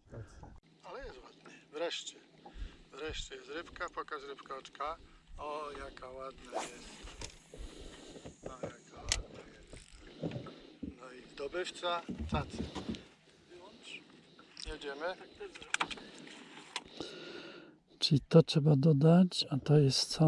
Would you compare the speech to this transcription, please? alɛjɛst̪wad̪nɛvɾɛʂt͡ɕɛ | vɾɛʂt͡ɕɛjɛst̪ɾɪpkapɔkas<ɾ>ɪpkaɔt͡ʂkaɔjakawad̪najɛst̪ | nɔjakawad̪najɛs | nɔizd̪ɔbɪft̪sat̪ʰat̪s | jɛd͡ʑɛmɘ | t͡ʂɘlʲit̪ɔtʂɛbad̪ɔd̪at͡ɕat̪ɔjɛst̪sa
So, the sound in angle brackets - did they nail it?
yes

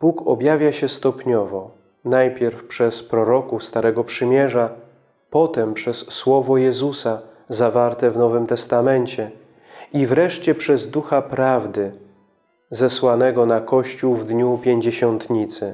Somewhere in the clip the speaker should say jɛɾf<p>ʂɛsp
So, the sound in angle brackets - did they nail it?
yes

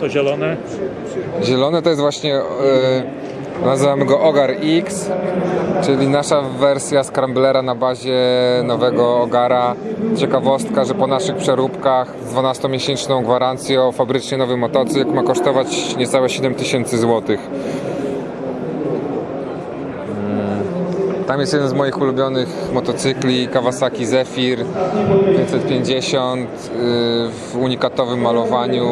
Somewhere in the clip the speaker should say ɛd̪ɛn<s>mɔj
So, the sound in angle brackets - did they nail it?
no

